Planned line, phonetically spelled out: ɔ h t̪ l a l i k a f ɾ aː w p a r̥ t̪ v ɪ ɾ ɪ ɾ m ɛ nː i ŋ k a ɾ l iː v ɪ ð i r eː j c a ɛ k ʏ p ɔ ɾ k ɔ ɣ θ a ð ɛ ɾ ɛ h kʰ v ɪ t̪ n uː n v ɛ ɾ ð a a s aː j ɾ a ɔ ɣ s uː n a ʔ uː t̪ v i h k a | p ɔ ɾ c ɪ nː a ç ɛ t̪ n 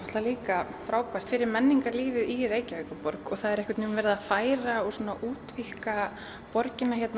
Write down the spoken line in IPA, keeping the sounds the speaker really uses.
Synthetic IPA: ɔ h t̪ l a l iː k a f ɾ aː w p a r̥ t̪ f ɪ ɾ ɪ ɾ m ɛ nː i ŋ k a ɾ l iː v ɪ ð i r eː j c a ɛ k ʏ p ɔ ɾ k ɔ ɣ θ a ð ɛ ɾ ɛ h k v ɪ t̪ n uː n v ɛ ɾ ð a a f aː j ɾ a ɔ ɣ s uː n a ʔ uː t̪ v i h k a | p ɔ ɾ c ɪ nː a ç ɛ t̪ n